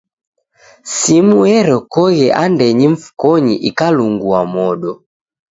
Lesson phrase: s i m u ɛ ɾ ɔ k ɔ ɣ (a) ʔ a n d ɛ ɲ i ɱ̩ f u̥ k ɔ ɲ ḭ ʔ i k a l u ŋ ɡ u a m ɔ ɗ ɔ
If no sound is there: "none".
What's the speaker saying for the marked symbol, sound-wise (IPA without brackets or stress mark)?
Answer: ɛ